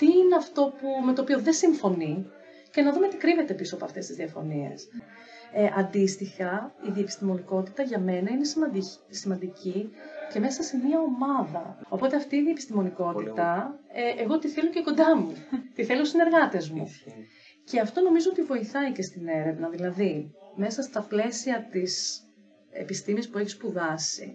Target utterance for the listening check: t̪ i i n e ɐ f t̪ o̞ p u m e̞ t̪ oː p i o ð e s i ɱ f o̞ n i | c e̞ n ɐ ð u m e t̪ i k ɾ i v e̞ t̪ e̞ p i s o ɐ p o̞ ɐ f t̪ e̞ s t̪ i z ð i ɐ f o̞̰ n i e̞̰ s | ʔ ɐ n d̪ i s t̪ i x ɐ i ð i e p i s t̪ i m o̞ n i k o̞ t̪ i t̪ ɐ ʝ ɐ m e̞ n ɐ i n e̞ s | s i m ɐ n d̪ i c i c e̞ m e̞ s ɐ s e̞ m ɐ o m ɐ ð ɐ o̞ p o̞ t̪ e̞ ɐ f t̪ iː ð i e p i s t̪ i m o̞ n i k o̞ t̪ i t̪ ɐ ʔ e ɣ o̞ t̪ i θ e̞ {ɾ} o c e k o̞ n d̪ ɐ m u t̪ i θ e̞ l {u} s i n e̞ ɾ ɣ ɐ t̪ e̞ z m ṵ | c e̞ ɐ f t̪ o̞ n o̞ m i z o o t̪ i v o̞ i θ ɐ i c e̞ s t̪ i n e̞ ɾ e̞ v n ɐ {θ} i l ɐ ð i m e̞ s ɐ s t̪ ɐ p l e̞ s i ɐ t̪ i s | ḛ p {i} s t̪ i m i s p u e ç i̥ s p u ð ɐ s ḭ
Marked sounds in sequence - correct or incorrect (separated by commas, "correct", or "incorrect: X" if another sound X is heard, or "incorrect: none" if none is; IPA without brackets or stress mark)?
incorrect: l, incorrect: o, incorrect: ð, correct